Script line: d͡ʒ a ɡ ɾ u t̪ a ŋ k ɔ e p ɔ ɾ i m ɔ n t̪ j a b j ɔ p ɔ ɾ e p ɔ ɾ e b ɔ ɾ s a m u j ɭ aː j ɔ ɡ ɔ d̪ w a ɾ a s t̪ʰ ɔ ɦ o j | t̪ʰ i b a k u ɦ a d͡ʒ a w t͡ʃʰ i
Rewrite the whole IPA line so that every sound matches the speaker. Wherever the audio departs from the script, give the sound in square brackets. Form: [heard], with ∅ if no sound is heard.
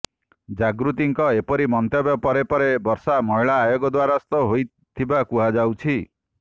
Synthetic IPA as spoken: d͡ʒ a ɡ ɾ u t̪ [i] ŋ k ɔ e p ɔ ɾ i m ɔ n t̪ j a b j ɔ p ɔ ɾ e p ɔ ɾ e b ɔ ɾ s a m [ɔ] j ɭ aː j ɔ ɡ ɔ d̪ w a ɾ a s [t̪] ɔ ɦ o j | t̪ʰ i b a k u ɦ a d͡ʒ a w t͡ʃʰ i